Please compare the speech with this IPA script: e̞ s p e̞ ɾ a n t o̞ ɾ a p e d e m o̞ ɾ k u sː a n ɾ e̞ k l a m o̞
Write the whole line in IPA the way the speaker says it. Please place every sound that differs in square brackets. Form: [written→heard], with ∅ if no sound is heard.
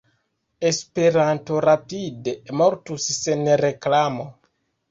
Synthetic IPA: e̞ s p e̞ ɾ a n t o̞ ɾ a p [e→i] d e m o̞ ɾ [k→t] u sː [a→e] n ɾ e̞ k l a m o̞